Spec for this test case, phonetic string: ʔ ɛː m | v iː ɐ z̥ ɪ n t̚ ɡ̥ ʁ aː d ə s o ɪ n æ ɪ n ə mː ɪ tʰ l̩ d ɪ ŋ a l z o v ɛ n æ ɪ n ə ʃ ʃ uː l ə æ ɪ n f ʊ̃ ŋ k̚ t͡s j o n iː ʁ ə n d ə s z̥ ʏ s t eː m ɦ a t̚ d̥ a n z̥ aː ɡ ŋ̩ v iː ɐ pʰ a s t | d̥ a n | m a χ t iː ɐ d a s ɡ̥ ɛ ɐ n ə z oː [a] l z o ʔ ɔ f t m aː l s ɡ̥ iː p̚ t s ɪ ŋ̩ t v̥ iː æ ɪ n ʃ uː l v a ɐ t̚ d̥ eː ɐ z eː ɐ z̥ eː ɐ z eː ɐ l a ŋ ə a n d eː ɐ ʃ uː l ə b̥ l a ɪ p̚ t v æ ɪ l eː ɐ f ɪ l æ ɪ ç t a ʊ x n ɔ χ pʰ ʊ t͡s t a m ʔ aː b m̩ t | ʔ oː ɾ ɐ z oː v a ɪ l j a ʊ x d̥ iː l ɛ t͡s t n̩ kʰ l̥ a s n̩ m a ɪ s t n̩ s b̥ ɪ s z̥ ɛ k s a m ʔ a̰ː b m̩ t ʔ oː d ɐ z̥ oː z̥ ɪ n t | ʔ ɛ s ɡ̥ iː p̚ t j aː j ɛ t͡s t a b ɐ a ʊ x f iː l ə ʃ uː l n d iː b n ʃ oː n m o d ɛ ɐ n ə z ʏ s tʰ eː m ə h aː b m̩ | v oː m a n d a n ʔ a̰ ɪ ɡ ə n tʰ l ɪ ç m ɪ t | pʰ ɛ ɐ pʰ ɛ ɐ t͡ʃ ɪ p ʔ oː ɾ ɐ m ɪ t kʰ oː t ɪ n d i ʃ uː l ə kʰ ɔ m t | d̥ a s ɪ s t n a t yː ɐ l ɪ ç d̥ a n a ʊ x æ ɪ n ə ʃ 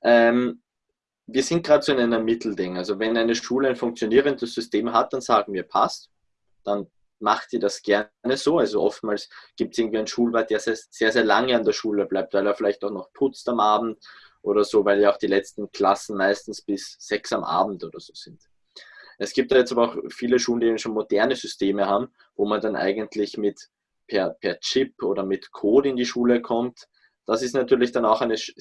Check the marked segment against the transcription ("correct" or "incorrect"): correct